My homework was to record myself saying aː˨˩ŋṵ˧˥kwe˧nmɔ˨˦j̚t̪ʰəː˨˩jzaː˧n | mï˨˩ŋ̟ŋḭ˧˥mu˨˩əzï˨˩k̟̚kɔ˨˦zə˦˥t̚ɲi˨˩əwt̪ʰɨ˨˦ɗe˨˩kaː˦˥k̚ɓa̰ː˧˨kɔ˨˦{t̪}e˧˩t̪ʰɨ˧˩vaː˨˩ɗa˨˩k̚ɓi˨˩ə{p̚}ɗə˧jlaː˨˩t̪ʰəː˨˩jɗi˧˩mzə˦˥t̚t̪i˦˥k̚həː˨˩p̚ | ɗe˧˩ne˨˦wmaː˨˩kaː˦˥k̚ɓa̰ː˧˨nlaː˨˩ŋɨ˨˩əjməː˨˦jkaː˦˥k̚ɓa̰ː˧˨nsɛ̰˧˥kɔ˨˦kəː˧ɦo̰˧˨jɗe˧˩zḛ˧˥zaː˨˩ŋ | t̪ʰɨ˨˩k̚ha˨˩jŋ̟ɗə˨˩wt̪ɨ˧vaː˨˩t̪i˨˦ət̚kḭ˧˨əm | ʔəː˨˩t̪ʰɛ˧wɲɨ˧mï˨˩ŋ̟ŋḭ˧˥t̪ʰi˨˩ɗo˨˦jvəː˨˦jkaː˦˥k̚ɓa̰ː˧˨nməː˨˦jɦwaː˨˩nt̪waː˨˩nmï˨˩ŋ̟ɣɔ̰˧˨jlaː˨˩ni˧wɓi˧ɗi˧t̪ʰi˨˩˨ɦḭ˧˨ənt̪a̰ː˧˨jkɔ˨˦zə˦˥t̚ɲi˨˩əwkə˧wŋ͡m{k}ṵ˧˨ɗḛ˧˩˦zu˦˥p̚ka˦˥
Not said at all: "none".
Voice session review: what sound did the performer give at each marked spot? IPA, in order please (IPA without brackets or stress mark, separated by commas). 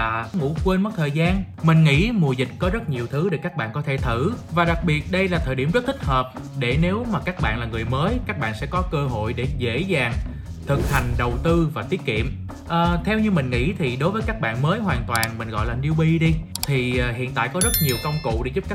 t̪ʰ, t̚, k